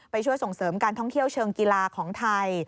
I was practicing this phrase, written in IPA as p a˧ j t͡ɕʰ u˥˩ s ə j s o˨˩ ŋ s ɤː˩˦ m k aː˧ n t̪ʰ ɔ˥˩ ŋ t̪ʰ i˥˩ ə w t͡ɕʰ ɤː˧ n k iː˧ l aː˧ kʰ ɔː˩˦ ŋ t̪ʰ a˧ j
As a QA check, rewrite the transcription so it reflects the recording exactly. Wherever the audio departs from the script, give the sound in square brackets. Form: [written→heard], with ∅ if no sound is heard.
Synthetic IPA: p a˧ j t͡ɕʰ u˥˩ [s→∅] ə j s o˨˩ ŋ s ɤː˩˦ m k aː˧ n t̪ʰ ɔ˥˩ ŋ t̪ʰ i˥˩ ə w t͡ɕʰ ɤː˧ [n→ŋ] k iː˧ l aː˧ kʰ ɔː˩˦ ŋ t̪ʰ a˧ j